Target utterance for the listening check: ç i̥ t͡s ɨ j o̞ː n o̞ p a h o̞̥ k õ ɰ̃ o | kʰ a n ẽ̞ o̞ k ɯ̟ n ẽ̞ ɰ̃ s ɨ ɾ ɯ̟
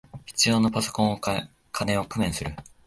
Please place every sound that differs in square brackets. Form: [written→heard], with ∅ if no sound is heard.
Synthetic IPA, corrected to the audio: ç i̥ t͡s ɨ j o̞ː n o̞ p a [h→s] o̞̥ k õ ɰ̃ o | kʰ a n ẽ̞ o̞ k ɯ̟ [n→m] ẽ̞ ɰ̃ s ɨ ɾ ɯ̟